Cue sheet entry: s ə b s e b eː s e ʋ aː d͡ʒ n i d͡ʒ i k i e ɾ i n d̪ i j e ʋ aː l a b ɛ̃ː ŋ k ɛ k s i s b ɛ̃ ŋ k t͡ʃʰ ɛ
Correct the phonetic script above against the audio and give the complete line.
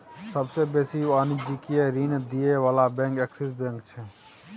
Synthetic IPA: s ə b s e b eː s i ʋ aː n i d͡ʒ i k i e ɾ i n d̪ i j e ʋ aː l a b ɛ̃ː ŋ k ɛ k s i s b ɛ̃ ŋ k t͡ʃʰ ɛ